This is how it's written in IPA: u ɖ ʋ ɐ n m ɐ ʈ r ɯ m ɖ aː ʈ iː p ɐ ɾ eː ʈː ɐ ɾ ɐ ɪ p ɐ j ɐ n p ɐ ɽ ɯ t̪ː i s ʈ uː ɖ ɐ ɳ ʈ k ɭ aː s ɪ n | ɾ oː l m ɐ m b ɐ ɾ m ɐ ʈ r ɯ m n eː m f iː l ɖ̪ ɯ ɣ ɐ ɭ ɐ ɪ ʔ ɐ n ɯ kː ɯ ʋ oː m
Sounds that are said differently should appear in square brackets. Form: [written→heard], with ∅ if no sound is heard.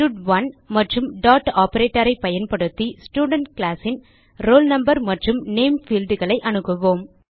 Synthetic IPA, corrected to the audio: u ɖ ʋ ɐ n m ɐ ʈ r ɯ m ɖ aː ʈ [iː→aː] p ɐ ɾ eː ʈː ɐ ɾ ɐ ɪ p ɐ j ɐ n p ɐ ɽ ɯ t̪ː i s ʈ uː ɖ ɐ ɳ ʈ k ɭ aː s ɪ n | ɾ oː l [m→n] ɐ m b ɐ ɾ m ɐ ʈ r ɯ m n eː m f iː l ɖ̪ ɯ ɣ ɐ ɭ ɐ ɪ ʔ ɐ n ɯ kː ɯ ʋ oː m